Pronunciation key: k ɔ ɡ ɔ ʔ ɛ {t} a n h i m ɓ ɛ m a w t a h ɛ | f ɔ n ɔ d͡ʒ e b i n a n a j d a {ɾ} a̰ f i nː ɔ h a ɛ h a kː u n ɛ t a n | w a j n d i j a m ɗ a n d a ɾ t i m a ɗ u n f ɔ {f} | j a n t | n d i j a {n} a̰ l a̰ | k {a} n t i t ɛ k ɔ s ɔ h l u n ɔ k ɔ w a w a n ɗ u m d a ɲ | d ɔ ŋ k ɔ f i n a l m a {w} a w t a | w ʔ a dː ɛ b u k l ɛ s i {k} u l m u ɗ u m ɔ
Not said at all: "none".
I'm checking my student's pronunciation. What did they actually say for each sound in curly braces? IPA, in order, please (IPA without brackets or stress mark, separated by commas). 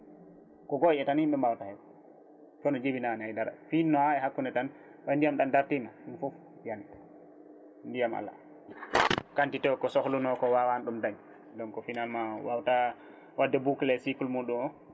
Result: t, ɾ, f, m, a, w, k